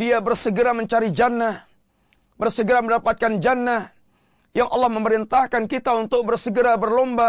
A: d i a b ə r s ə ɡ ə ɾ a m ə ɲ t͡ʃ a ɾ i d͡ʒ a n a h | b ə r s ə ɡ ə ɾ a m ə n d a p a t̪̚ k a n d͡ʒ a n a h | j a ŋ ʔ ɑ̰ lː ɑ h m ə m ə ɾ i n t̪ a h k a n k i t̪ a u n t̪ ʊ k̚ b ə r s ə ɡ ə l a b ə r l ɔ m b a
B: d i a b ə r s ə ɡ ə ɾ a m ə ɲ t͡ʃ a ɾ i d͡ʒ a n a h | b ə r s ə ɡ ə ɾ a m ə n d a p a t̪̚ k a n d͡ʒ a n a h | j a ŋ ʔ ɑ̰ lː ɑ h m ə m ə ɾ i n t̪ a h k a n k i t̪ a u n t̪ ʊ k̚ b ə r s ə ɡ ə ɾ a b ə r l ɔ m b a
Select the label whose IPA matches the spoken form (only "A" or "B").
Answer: B